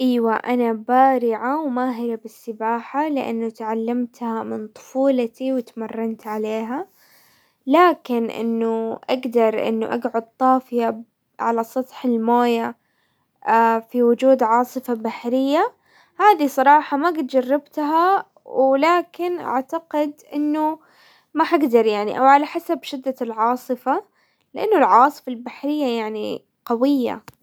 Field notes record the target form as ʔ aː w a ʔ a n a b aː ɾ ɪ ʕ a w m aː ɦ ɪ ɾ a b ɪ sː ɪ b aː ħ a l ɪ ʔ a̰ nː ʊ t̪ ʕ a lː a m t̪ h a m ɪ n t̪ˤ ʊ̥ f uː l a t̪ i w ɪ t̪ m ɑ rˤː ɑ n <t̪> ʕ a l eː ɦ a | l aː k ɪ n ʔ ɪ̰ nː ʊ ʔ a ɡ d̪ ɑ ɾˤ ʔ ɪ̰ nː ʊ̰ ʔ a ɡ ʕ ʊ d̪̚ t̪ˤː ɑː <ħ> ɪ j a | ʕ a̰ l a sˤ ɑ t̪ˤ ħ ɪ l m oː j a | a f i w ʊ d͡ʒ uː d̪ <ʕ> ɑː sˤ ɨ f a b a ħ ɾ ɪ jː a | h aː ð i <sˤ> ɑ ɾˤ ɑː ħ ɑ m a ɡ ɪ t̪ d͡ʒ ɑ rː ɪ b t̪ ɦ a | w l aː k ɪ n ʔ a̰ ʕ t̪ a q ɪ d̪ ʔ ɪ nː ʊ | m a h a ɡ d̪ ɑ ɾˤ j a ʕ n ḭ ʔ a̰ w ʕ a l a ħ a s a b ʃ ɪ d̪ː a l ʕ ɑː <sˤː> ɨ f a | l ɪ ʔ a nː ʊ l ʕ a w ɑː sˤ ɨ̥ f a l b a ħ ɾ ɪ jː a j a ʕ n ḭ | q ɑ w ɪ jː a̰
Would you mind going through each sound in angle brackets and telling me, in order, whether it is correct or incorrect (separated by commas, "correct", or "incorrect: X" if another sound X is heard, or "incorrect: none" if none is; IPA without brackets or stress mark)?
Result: correct, incorrect: f, correct, correct, incorrect: sˤ